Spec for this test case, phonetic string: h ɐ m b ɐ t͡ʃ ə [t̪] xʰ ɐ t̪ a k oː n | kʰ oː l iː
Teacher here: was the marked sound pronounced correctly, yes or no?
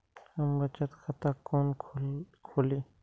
yes